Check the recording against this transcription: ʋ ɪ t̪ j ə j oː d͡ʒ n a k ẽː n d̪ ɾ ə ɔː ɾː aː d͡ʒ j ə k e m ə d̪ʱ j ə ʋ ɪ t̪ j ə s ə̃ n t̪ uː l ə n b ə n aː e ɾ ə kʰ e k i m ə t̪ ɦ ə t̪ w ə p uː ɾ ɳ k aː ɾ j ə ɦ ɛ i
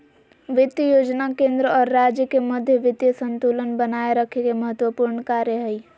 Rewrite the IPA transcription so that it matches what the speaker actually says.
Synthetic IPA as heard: ʋ ɪ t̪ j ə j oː d͡ʒ n a k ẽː n d̪ ɾ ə ɔː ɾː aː d͡ʒ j ə k e m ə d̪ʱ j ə ʋ ɪ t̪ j ə s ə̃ n t̪ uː l ə n b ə n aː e ɾ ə kʰ e k e m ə ɦ ə t̪ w ə p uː ɾ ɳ k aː ɾ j ə ɦ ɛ i